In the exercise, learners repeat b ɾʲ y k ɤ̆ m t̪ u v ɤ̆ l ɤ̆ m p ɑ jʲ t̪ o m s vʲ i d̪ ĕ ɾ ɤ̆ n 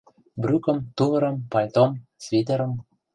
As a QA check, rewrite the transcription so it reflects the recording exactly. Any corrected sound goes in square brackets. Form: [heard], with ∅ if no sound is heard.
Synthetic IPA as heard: b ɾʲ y k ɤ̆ m t̪ u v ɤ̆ [ɾ] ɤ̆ m p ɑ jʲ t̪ o m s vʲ i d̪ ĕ ɾ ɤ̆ [m]